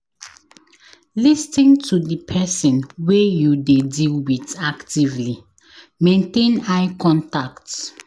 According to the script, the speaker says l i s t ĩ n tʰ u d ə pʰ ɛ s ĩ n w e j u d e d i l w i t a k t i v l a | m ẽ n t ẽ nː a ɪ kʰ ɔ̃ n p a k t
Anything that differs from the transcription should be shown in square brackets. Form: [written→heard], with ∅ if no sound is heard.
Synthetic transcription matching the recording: l i s t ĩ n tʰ u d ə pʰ ɛ s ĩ n w e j u d e d i l w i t a k t i v l [a→i] | m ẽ n t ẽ [nː→n] a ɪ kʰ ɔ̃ n [p→t] a k t